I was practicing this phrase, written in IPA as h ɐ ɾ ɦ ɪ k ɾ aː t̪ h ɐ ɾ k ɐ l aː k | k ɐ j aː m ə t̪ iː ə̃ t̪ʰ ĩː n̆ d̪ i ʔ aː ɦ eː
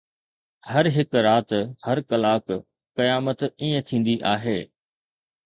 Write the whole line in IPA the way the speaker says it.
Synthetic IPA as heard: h ɐ ɾ ɦ ɪ k ɾ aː t̪ h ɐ ɾ k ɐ l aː k | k ɐ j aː m ə t̪ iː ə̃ t̪ʰ ĩː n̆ d̪ i ʔ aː ɦ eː